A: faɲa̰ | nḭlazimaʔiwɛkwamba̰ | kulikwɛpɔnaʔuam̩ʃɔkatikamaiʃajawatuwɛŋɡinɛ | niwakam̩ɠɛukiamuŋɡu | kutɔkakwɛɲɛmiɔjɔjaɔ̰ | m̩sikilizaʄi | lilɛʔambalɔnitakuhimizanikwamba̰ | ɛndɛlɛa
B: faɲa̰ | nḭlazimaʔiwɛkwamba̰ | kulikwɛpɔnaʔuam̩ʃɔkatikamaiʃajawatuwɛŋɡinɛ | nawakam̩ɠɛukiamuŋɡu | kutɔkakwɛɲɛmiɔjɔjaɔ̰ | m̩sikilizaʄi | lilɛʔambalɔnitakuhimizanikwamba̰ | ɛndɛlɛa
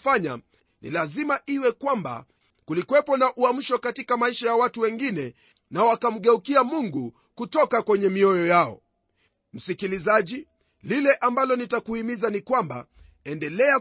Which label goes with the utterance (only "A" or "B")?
B